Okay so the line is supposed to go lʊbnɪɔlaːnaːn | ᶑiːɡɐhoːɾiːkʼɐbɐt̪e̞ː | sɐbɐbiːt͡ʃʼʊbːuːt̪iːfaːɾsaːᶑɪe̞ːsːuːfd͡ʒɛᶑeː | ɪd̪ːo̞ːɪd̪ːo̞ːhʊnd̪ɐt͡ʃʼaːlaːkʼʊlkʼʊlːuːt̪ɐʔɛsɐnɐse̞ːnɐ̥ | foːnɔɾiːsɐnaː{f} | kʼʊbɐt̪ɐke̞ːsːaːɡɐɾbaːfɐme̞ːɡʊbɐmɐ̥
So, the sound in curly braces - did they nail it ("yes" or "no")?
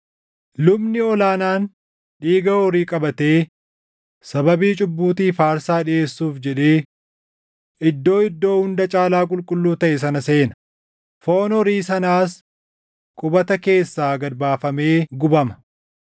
no